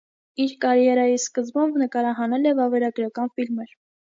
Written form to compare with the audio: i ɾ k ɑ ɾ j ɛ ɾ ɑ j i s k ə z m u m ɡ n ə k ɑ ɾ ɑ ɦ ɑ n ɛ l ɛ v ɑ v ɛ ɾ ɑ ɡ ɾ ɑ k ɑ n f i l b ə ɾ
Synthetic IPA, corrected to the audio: i ɾ k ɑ ɾ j ɛ ɾ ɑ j i s k ə z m u m b n ə k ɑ ɾ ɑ ɦ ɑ n ɛ l ɛ v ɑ v ɛ ɾ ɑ ɡ ɾ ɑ k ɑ n f i l m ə ɾ